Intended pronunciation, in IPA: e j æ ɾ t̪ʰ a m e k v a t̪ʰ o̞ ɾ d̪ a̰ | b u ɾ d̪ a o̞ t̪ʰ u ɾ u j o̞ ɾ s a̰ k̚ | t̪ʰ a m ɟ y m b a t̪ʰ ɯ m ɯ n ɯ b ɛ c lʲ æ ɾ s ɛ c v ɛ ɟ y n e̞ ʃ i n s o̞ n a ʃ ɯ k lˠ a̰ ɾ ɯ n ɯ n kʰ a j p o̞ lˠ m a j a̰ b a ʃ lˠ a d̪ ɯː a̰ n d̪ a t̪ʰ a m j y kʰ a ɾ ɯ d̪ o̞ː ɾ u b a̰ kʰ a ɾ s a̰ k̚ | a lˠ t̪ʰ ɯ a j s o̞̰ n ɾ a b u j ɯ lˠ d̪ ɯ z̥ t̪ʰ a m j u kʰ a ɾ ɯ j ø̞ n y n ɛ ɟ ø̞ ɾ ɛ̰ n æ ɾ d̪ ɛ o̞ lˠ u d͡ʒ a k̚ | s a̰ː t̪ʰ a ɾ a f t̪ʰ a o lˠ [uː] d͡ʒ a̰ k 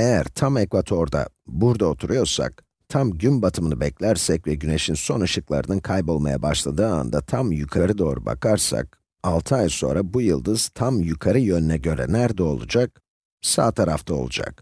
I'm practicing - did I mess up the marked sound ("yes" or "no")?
yes